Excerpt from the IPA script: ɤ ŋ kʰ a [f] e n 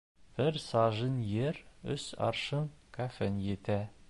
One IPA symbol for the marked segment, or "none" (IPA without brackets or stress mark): f